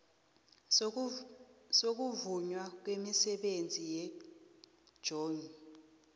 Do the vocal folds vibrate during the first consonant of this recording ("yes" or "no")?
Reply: no